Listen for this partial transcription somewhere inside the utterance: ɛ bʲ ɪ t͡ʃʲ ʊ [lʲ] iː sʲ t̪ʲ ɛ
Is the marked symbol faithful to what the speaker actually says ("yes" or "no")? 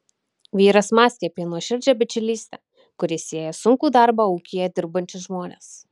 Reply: yes